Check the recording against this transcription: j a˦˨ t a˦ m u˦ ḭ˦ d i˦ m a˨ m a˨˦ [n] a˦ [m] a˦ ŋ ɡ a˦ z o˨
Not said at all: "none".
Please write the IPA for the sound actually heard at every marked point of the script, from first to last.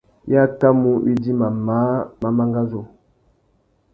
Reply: m, m

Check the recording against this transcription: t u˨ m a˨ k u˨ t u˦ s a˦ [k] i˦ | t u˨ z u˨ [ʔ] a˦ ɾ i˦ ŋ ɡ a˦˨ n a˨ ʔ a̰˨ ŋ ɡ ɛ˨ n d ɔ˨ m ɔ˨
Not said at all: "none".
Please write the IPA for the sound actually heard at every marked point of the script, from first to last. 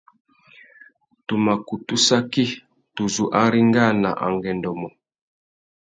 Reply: k, ʔ

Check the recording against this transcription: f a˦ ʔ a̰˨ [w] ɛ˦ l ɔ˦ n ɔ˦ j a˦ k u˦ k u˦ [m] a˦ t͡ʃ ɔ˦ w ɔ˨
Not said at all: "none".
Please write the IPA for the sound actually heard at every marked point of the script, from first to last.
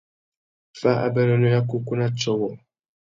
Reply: b, n

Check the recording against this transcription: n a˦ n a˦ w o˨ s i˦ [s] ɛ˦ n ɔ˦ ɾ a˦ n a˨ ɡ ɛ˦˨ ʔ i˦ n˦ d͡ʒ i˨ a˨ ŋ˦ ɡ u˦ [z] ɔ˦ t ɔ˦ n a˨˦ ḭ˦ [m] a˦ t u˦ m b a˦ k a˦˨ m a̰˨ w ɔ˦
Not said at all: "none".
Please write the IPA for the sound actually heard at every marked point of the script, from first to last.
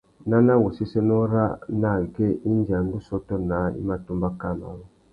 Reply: s, s, m

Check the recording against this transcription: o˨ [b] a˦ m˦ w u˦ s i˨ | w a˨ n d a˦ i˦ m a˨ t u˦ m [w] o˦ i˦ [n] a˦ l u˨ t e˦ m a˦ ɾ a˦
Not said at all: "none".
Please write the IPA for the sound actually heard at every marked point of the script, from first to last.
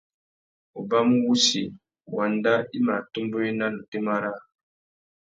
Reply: b, b, n

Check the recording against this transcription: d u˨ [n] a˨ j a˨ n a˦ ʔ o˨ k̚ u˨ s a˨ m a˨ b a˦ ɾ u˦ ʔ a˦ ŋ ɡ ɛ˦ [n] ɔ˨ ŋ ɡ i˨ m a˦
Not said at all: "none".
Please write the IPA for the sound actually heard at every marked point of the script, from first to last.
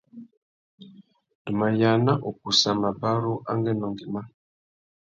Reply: m, n

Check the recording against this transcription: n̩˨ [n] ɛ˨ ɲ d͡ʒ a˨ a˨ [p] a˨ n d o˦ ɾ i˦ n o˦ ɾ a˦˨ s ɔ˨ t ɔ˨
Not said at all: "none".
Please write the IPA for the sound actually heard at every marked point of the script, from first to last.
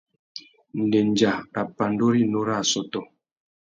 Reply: d, p

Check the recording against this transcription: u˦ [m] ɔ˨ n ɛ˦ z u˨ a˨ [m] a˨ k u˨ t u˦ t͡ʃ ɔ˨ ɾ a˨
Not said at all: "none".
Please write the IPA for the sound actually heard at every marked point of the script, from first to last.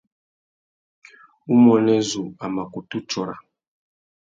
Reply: m, m

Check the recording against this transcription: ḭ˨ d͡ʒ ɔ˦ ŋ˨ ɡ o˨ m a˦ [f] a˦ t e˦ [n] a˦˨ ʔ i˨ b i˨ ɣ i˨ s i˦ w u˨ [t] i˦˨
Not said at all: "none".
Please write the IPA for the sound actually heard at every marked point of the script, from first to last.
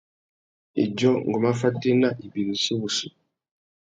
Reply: f, n, s

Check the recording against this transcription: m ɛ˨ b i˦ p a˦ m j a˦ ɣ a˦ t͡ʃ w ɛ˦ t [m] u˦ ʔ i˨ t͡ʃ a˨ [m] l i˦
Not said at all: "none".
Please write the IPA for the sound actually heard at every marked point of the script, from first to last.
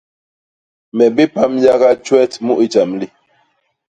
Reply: m, m

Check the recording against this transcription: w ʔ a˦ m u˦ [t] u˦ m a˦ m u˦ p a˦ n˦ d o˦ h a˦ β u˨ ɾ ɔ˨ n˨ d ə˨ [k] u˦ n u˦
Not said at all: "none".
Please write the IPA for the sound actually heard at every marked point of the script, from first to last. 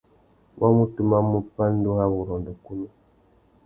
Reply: t, k

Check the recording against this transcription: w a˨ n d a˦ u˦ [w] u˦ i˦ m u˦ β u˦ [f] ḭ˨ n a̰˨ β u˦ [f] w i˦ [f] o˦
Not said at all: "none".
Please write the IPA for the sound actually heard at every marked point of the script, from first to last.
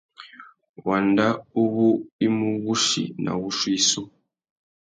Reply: β, ʃ, ʃ, s

